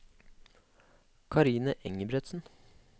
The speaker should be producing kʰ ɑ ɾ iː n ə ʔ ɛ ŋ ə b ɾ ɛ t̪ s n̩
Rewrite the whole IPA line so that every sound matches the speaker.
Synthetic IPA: kʰ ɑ ɾ iː n ə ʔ ɛ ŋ ə b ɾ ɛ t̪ s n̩